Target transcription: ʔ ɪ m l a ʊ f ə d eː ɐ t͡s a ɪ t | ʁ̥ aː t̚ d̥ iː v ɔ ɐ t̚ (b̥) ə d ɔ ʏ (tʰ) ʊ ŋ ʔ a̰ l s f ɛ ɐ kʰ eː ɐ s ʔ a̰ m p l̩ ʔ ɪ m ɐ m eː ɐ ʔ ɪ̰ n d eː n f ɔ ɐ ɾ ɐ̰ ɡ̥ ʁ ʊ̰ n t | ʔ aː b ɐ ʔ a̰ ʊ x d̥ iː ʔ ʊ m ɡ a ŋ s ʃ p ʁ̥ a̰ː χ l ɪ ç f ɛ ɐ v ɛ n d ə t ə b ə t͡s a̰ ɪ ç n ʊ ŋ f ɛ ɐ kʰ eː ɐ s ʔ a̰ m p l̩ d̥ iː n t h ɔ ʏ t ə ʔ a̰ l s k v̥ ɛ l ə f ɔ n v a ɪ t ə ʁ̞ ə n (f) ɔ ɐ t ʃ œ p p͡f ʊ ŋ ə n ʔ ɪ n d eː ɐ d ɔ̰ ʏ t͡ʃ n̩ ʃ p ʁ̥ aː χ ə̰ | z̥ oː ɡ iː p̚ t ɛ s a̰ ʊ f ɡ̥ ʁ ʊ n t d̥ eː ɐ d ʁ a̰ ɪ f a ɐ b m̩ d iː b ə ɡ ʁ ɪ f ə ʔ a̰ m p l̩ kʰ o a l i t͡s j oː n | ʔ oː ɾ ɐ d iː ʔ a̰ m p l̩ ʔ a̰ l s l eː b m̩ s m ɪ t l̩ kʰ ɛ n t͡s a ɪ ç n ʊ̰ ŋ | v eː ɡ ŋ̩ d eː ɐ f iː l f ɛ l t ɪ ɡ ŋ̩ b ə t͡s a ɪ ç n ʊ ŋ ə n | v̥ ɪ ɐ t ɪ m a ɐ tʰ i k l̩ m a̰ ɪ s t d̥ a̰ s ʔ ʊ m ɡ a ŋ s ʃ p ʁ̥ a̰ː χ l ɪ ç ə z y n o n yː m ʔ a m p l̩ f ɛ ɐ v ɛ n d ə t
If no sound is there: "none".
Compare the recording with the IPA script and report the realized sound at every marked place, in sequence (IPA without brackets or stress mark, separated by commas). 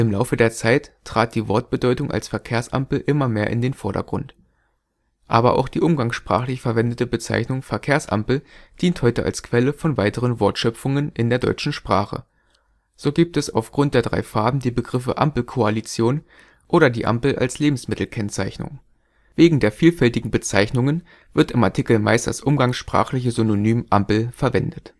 b̥, t, v